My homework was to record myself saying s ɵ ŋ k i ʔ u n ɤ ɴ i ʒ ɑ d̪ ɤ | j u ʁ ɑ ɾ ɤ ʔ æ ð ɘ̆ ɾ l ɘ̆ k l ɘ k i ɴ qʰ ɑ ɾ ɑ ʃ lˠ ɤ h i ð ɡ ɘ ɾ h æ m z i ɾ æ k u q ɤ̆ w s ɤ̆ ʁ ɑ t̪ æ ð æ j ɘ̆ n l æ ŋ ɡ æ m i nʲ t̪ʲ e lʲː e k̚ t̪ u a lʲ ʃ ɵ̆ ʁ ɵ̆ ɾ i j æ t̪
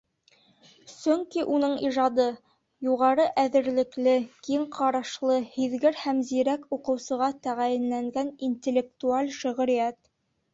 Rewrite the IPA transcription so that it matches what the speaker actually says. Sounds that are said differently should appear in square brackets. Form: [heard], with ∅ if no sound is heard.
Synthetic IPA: s ɵ ŋ k i ʔ u n ɤ ɴ i ʒ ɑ d̪ ɤ | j u ʁ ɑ ɾ ɤ ʔ æ ð ɘ̆ ɾ l ɘ̆ k l ɘ k i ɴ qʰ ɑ ɾ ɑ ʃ lˠ ɤ h i ð ɡ ɘ ɾ h æ m z i ɾ æ k u q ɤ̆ w s ɤ̆ ʁ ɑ t̪ æ [ʁ] æ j ɘ̆ n l æ ŋ ɡ æ [n] i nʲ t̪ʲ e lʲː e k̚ t̪ u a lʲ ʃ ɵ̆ ʁ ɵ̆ ɾ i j æ t̪